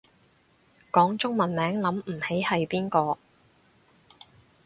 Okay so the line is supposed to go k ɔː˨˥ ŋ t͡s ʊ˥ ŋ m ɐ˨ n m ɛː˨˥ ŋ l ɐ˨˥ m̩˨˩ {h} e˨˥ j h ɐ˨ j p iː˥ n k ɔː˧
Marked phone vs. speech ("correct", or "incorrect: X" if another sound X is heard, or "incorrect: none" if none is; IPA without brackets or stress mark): correct